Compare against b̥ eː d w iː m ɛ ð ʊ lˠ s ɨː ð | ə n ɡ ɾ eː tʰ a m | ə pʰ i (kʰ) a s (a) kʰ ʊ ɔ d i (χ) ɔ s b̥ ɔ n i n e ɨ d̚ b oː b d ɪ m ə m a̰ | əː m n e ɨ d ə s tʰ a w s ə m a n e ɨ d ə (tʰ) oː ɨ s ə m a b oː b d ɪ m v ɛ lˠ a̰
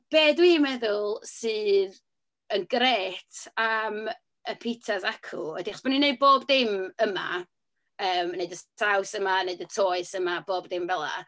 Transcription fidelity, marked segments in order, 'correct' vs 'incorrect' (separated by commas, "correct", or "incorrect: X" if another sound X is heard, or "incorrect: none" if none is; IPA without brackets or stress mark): incorrect: tʰ, correct, correct, correct